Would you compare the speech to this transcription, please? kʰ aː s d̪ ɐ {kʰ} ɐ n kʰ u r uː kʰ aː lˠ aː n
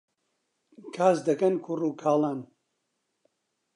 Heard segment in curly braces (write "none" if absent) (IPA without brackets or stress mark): k